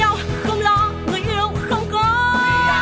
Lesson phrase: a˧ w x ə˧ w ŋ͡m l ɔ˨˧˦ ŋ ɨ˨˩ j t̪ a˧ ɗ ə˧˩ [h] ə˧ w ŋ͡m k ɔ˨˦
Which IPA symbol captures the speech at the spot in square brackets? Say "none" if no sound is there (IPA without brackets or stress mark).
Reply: x